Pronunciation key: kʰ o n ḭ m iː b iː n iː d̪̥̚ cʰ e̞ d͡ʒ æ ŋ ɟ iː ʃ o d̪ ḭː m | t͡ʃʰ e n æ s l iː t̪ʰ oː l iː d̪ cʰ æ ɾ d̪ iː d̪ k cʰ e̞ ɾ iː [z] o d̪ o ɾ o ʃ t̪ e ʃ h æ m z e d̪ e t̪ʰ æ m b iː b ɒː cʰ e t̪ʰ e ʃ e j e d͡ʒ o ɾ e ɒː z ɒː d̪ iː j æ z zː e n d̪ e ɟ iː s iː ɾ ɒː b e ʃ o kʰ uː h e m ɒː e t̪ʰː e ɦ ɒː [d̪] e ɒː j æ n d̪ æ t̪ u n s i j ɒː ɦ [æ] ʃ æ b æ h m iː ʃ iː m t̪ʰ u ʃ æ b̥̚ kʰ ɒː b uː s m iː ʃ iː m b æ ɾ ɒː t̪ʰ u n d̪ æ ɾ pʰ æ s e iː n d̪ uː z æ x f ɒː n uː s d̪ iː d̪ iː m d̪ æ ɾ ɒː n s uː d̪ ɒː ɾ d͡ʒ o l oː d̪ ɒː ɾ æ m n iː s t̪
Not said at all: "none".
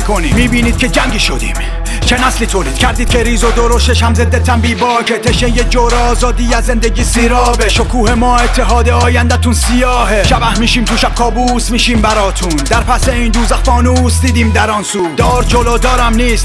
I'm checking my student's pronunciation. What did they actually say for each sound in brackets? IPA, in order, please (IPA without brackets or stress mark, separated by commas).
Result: z, d̪, e